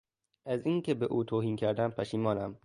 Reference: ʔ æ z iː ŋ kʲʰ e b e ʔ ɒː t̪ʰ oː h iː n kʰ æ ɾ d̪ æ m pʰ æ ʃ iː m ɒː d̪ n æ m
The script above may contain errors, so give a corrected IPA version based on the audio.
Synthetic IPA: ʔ æ z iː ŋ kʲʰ e b e ʔ uː t̪ʰ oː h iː n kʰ æ ɾ d̪ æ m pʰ æ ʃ iː m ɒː n æ m